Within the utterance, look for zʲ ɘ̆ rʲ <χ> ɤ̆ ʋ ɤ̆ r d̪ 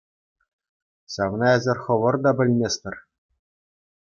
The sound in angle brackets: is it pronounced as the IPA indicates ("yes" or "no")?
yes